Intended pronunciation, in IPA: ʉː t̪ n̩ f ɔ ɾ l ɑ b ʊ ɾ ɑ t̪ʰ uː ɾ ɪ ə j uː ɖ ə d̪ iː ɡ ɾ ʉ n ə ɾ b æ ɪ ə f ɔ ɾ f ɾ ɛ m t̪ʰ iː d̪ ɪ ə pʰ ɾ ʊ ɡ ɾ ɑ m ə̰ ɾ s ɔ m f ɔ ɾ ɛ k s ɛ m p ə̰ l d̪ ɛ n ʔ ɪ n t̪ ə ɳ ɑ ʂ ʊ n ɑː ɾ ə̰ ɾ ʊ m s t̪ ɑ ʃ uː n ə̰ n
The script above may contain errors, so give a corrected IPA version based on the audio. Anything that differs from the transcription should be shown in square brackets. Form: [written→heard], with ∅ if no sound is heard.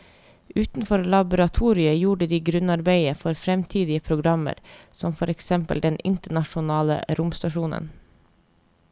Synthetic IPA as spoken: ʉː t̪ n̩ f ɔ ɾ l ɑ b ʊ ɾ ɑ t̪ʰ uː ɾ ɪ ə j uː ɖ ə d̪ iː ɡ ɾ ʉ n [ə→ɑ] ɾ b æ ɪ ə f ɔ ɾ f ɾ ɛ m t̪ʰ iː d̪ ɪ ə pʰ ɾ ʊ ɡ ɾ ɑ m ə̰ ɾ s ɔ m f ɔ ɾ ɛ k s ɛ m p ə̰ l d̪ ɛ n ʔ ɪ n t̪ ə ɳ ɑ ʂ ʊ n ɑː [ɾ→l] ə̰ ɾ ʊ m s t̪ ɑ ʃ uː n ə̰ n